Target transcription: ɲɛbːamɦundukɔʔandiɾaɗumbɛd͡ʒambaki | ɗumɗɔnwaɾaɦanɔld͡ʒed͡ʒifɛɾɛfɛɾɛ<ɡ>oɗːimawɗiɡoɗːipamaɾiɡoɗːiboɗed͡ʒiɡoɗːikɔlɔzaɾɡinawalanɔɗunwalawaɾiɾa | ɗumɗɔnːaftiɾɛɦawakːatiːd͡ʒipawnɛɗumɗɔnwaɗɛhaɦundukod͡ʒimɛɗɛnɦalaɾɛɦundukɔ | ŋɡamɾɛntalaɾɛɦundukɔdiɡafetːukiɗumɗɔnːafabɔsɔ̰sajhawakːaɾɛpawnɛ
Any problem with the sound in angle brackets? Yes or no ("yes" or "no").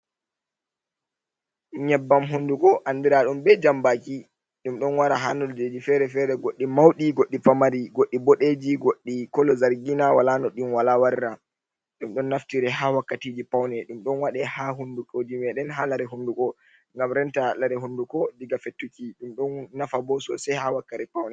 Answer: no